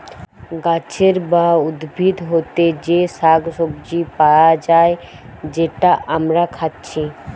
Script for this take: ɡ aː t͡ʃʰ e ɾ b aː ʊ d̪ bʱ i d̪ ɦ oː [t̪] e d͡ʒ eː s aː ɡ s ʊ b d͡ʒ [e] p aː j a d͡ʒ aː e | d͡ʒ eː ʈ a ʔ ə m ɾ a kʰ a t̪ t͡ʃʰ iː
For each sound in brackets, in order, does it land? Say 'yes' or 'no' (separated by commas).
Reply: yes, no